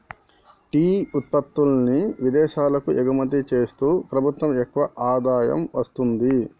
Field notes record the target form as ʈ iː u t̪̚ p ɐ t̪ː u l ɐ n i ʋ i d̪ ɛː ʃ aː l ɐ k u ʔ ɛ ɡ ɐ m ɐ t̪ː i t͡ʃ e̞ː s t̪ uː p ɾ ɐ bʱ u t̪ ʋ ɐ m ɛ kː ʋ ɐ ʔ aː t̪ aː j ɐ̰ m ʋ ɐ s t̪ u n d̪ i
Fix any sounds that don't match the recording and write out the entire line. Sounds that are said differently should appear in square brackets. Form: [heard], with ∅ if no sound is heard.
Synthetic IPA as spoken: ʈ iː u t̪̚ p ɐ t̪ː u l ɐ n i ʋ i d̪ ɛː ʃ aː l ɐ k u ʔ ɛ ɡ ɐ m ɐ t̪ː i t͡ʃ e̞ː s t̪ uː p ɾ ɐ bʱ u t̪ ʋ ɐ m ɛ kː ʋ ɐ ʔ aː [d̪] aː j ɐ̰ m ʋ ɐ s t̪ u n d̪ i